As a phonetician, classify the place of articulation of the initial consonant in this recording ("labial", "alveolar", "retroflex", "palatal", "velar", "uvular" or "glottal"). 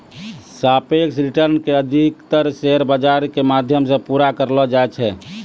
alveolar